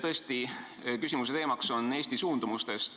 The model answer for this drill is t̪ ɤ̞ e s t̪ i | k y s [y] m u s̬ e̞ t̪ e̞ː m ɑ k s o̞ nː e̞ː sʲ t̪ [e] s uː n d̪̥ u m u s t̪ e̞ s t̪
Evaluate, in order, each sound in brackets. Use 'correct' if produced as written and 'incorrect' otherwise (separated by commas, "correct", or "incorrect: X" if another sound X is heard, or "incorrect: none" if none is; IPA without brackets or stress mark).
incorrect: i, incorrect: i